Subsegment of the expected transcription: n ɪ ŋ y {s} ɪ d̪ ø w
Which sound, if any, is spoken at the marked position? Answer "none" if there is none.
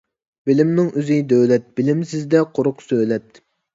z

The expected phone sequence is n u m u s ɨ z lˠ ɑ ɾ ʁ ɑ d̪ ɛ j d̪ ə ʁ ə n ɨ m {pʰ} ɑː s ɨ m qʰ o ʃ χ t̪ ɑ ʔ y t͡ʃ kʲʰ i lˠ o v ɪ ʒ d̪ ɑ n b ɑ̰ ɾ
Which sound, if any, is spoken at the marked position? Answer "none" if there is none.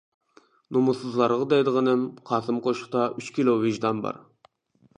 qʰ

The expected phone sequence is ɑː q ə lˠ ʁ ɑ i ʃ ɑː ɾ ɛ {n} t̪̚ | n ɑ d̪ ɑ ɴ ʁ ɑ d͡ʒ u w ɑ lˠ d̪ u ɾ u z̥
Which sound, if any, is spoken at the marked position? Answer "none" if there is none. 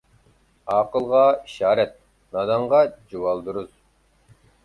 none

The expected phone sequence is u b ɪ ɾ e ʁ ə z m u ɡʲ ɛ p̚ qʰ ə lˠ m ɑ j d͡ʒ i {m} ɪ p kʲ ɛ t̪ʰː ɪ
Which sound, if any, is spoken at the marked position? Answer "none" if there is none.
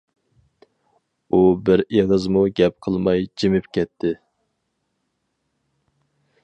m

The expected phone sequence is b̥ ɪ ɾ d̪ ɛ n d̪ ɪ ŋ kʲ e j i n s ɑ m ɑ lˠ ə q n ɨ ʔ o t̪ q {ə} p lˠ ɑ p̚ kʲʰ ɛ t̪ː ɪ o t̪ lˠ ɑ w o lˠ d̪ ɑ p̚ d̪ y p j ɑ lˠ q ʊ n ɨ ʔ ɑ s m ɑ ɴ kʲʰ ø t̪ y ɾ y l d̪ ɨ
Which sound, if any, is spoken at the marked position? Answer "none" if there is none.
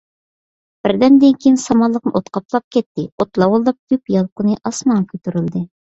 ɑ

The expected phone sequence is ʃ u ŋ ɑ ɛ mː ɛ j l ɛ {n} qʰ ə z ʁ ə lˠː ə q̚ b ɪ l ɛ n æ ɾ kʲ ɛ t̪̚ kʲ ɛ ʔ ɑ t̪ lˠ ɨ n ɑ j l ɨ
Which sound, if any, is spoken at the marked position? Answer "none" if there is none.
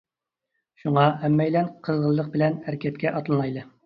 n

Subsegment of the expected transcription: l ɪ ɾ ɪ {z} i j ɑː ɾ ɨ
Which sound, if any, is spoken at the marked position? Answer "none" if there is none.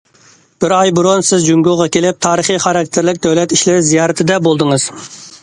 z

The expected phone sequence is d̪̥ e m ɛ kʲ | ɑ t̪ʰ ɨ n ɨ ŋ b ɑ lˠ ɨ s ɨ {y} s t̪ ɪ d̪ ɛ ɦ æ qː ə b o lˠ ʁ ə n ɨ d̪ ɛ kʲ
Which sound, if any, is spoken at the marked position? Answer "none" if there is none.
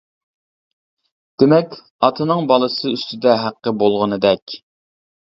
y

